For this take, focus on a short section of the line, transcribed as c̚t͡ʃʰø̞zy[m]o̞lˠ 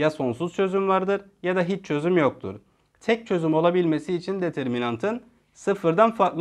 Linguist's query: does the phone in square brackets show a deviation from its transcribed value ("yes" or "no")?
no